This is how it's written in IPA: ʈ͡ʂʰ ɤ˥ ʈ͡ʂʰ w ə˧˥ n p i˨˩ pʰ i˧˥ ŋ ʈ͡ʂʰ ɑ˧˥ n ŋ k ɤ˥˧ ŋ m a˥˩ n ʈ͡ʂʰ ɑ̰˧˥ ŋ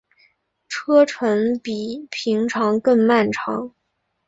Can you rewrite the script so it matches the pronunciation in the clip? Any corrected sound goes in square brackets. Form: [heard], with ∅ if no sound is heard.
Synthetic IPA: ʈ͡ʂʰ ɤ˥ ʈ͡ʂʰ w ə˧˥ n p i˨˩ pʰ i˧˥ ŋ ʈ͡ʂʰ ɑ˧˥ [∅] ŋ k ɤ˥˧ ŋ m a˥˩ n ʈ͡ʂʰ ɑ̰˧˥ ŋ